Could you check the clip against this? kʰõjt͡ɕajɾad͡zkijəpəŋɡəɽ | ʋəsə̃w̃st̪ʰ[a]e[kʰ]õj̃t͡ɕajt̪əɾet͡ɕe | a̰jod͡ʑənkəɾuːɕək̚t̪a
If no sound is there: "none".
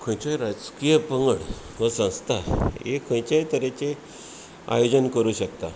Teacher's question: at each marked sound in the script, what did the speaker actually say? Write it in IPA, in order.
a, kʰ

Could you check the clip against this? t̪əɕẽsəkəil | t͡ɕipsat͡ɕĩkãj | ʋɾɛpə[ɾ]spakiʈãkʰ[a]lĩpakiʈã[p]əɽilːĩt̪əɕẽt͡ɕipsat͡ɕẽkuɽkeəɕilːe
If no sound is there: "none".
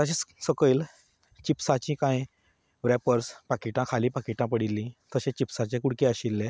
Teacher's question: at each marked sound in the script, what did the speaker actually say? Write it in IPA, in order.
ɾ, a, p

